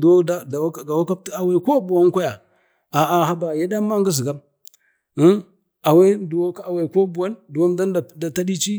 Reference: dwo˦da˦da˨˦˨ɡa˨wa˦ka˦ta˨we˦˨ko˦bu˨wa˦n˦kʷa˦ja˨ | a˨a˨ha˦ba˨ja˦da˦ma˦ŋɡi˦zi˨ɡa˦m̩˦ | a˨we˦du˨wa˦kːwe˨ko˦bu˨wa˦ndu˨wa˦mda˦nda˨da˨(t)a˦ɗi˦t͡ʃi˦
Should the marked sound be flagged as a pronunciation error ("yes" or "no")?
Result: no